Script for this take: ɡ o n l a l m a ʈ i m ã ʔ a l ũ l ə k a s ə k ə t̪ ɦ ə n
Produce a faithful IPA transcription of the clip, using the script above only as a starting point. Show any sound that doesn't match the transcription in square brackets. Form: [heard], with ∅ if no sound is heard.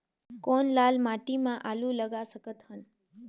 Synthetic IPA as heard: [k] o n l a l m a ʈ i m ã ʔ a l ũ l ə [ɡ] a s ə k ə t̪ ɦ ə n